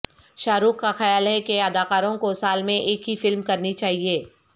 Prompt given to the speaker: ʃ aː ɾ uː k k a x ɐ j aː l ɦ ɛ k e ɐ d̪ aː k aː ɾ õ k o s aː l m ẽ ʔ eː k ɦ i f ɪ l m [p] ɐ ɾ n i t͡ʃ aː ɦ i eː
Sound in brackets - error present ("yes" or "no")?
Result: yes